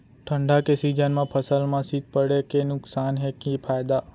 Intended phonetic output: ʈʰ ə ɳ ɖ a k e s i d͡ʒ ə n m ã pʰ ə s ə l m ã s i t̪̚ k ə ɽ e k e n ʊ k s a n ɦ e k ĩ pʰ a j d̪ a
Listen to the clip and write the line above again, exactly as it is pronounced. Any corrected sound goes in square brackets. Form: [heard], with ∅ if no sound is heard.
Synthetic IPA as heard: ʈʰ ə ɳ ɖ a k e s i d͡ʒ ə n m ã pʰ ə s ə l m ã s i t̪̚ [p] ə ɽ e k e n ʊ k s a n ɦ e k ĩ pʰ a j d̪ a